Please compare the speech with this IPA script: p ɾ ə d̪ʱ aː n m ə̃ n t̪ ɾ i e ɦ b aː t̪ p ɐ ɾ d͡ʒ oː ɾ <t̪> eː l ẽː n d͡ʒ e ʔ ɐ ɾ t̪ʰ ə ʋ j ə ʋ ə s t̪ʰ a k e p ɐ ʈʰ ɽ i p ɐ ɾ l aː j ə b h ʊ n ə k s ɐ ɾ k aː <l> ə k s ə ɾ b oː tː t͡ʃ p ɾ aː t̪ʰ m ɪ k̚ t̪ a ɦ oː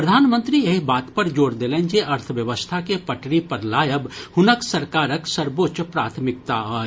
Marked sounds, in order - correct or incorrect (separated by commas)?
incorrect, incorrect